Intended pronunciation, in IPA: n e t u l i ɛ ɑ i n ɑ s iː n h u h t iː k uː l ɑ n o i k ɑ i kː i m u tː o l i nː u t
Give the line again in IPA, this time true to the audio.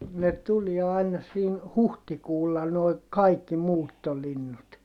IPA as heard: n e t u l i ɛ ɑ i n ɑ s iː n h u h t i k uː lː ɑ n o i k ɑ i kː i m uː tː o l i nː u t